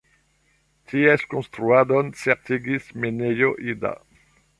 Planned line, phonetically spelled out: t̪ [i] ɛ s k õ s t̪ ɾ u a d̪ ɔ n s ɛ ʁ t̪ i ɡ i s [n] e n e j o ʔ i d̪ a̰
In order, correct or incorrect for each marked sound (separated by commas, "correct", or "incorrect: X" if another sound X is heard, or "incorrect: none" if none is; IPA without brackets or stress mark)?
correct, incorrect: m